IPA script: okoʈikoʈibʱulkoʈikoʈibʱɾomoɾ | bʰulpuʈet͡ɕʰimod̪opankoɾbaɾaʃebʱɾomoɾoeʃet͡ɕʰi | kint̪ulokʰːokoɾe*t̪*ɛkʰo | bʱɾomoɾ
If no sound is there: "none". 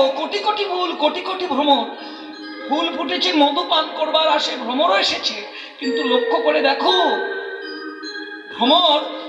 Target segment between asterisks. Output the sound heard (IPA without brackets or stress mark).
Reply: d̪